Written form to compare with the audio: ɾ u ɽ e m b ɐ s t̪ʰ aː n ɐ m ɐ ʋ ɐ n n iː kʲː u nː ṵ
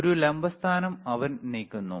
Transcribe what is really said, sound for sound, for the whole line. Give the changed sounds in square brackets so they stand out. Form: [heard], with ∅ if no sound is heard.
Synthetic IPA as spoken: ɾ u [l] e m b ɐ s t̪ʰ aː n ɐ m ɐ ʋ ɐ n n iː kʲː u nː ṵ